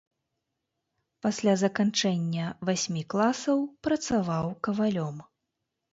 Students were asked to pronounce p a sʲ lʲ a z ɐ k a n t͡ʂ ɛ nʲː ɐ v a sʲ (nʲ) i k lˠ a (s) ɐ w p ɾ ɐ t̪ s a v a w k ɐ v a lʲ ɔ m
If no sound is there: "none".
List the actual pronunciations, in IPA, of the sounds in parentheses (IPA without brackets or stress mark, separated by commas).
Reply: mʲ, s